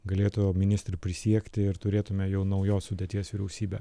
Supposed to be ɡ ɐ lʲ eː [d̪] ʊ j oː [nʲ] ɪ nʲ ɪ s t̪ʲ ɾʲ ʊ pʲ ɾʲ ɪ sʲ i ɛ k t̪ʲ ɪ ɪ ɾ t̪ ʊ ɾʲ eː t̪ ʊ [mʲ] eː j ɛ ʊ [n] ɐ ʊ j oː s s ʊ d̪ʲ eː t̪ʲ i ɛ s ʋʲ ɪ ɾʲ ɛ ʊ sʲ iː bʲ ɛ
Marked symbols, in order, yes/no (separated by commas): no, no, yes, yes